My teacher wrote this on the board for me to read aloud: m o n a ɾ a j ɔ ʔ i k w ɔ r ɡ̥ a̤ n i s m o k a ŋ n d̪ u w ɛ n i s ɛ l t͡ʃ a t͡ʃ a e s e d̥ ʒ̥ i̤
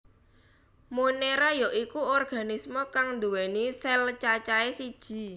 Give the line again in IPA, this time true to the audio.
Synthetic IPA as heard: m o n e ɾ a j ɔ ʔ i k u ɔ r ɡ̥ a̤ n i s m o k a ŋ n d̪ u w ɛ n i s ɛ l t͡ʃ a t͡ʃ a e s i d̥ ʒ̥ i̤